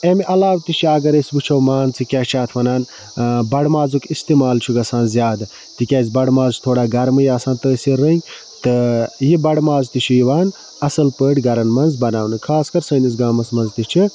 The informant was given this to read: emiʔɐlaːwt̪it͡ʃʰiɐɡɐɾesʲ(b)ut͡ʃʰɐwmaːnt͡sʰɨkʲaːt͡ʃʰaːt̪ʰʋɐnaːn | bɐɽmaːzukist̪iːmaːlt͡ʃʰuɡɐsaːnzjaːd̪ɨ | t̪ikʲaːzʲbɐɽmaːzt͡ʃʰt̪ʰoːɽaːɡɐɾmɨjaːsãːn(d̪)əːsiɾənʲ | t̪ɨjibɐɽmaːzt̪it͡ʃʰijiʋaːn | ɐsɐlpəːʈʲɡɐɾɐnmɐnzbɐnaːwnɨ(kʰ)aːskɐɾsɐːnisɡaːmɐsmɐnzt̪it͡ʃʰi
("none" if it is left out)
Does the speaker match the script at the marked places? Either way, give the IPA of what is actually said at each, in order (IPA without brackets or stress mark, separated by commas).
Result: b, t̪, kʰ